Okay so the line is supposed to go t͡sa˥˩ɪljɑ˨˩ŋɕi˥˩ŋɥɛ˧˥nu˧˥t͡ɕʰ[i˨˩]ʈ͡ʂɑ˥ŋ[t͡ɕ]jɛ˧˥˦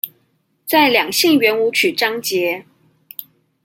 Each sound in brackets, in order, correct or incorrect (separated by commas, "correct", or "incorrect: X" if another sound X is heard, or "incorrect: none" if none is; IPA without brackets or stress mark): incorrect: y˨˩, correct